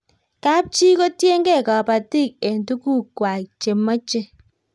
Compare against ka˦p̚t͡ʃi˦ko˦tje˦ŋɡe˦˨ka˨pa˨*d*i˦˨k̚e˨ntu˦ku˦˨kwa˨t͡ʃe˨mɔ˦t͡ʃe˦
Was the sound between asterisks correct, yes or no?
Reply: no